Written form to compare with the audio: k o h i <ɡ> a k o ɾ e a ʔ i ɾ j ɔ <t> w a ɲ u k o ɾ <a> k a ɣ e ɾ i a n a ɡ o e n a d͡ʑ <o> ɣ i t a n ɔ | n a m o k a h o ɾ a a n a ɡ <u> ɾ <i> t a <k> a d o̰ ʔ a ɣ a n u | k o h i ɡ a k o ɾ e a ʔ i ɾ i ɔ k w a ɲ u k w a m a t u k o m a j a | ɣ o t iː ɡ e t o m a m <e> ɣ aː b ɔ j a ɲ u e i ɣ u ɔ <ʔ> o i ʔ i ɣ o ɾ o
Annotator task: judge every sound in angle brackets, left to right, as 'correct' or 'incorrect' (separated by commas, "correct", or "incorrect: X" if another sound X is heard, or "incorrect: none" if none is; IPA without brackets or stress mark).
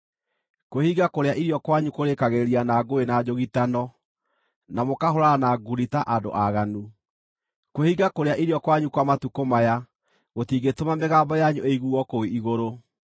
correct, incorrect: k, incorrect: e, correct, correct, correct, incorrect: ʔ, correct, incorrect: k